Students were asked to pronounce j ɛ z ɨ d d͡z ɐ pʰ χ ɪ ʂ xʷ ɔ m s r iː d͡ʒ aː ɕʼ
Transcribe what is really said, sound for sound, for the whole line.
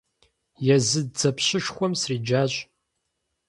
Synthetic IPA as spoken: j ɛ z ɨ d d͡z ɐ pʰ ɕ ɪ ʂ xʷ ɔ m s r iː d͡ʒ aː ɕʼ